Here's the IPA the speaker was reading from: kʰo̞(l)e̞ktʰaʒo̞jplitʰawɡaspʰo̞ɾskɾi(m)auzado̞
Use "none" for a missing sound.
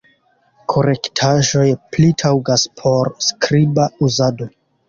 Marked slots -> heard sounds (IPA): ɾ, b

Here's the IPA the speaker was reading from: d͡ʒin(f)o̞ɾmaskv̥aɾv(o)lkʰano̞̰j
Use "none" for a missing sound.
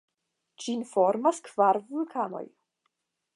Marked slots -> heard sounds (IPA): f, u

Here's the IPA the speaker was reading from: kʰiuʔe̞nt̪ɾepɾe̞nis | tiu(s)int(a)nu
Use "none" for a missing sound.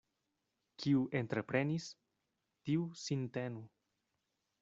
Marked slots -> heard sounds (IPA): s, e

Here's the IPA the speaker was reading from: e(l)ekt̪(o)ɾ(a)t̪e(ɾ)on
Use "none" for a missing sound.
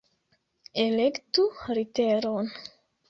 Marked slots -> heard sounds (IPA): l, u, i, ɾ

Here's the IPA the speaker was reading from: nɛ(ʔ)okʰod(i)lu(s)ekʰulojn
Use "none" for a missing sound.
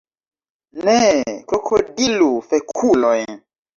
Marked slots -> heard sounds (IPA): k, i, f

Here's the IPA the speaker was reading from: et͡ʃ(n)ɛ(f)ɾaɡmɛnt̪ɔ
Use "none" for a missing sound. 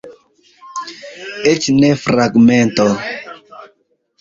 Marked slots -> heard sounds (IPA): n, f

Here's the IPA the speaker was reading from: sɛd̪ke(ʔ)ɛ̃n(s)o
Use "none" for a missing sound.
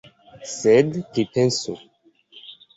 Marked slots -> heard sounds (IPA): p, s

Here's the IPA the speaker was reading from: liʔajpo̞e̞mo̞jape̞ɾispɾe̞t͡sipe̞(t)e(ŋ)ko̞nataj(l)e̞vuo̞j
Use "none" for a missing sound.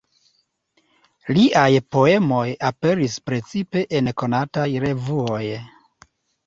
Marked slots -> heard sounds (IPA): ʔ, n, ɾ

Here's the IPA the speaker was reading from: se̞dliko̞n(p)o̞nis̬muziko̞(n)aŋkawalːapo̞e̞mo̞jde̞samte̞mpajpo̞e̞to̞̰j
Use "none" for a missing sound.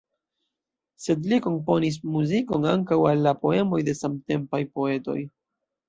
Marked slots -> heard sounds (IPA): p, n

